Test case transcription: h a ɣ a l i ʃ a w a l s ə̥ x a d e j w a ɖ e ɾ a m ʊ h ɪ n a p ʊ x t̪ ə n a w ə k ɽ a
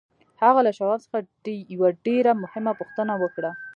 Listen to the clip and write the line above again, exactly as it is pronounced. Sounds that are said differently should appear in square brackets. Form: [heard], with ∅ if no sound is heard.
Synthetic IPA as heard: h a ɣ a l [a] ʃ a w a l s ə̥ x a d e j w a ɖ e ɾ a m ʊ h ɪ [m] a p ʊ x t̪ ə n a w ə k ɽ a